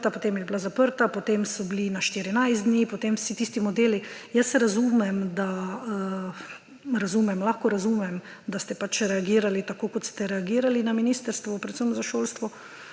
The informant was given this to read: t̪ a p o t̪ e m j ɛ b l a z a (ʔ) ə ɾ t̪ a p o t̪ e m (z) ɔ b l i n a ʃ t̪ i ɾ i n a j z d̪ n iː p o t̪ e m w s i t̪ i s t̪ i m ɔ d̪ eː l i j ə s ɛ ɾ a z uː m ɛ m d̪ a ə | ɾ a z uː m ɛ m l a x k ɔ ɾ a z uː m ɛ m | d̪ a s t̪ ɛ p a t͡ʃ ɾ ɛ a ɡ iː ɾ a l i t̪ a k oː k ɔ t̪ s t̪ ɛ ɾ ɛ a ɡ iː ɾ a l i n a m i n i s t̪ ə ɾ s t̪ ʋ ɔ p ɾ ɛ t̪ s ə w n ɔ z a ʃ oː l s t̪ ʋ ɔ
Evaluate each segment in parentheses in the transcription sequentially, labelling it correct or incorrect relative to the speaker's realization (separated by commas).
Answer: incorrect, incorrect